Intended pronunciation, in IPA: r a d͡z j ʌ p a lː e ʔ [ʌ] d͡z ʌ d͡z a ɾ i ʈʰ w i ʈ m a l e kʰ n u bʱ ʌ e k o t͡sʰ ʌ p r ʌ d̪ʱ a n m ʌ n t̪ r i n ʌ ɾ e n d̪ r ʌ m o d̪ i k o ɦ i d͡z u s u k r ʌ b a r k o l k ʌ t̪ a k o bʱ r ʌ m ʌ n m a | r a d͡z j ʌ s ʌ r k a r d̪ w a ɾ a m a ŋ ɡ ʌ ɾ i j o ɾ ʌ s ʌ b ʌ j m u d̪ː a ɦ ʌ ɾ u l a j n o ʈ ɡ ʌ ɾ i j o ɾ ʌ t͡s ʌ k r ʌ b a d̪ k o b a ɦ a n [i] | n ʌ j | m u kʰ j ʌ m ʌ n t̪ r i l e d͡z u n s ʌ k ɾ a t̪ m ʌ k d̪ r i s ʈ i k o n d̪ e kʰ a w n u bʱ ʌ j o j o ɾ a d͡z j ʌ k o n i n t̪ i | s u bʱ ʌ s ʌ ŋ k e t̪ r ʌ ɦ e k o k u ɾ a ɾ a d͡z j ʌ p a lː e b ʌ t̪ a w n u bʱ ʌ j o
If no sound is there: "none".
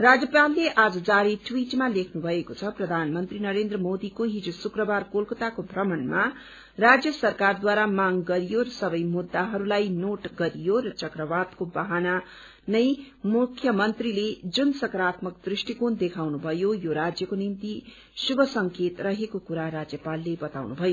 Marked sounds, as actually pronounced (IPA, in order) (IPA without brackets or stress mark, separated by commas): a, a